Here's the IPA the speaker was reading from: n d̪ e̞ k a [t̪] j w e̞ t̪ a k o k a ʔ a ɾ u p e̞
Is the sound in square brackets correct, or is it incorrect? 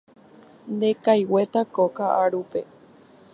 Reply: incorrect